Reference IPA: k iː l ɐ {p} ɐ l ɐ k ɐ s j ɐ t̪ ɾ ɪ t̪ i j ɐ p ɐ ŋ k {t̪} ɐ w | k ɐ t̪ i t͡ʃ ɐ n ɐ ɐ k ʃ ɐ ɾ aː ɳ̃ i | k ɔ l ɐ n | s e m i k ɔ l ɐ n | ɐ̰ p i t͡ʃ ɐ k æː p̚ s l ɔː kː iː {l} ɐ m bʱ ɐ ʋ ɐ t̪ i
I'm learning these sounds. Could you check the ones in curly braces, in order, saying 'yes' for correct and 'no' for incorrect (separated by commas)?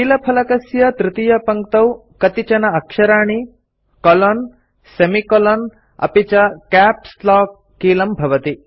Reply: no, yes, yes